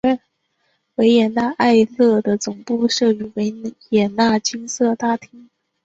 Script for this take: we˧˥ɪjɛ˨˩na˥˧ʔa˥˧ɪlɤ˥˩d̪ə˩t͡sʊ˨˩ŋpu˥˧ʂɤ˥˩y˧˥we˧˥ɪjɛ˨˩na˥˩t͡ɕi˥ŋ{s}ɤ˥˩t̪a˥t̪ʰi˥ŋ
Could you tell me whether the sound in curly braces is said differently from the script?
no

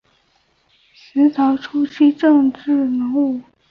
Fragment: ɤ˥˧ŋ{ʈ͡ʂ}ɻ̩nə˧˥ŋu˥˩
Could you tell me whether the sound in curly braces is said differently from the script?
no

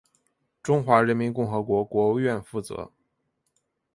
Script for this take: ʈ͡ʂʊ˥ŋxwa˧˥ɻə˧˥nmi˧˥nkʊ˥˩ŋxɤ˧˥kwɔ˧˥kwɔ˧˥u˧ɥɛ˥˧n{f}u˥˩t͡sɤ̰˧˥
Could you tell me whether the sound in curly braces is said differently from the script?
no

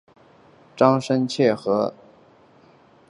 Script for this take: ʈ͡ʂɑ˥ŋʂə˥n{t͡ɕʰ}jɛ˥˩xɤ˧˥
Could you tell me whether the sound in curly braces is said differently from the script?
no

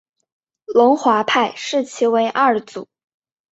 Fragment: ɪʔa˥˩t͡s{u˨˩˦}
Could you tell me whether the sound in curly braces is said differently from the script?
no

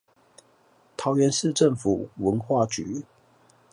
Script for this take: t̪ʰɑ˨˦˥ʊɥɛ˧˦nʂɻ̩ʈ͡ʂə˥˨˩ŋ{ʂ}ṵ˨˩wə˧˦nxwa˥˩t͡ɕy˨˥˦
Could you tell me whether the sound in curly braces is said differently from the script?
yes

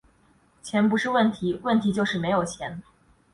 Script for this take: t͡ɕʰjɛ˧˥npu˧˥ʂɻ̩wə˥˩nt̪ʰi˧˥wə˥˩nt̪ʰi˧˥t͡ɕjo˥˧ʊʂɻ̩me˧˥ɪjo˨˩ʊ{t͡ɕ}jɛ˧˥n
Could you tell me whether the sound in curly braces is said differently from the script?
yes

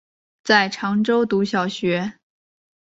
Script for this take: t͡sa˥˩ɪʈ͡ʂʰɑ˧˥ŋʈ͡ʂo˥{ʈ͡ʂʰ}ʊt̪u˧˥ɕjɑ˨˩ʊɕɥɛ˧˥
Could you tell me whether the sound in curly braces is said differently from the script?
yes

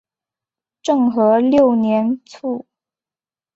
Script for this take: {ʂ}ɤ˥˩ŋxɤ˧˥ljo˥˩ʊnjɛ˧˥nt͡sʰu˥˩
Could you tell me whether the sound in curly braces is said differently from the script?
yes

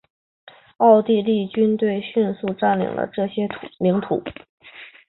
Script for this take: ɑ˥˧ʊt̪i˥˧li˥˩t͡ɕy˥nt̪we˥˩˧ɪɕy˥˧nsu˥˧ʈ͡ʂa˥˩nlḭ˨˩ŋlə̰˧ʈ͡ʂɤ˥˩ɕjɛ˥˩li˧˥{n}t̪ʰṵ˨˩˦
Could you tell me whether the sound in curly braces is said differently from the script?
yes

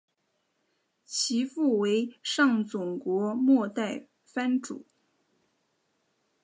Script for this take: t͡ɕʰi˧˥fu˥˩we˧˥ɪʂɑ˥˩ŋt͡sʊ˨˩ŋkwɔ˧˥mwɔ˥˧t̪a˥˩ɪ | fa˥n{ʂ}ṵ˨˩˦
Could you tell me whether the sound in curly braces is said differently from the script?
yes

